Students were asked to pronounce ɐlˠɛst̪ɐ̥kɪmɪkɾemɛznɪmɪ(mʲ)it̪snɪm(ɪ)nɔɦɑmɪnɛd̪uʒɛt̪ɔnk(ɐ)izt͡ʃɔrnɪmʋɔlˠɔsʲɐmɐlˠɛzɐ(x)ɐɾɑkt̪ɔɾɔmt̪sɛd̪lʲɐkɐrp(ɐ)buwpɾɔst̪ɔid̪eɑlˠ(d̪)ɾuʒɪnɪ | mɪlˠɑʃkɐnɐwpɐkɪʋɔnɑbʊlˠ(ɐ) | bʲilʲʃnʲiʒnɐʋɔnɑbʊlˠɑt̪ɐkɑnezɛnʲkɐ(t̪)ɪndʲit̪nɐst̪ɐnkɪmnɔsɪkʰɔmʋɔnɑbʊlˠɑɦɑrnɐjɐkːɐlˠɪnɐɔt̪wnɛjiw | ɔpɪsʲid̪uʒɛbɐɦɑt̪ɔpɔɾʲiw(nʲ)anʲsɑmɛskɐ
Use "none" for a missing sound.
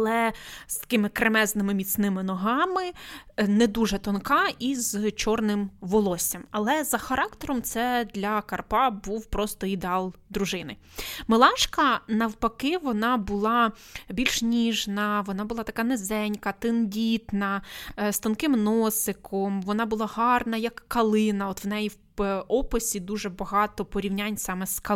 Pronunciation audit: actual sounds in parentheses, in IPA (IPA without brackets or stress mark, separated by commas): mʲ, ɪ, ɑ, x, ɑ, d̪, ɑ, t̪, nʲ